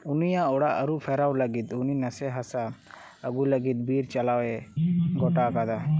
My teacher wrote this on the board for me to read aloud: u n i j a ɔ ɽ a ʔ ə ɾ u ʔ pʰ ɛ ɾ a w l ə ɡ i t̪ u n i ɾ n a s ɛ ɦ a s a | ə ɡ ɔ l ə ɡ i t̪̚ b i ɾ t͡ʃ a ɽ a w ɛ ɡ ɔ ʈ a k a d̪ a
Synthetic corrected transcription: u n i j a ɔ ɽ a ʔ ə ɾ u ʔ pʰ ɛ ɾ a w l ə ɡ i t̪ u n i n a s ɛ ɦ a s a | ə ɡ u l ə ɡ i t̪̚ b i ɾ t͡ʃ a l a w ɛ ɡ ɔ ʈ a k a d̪ a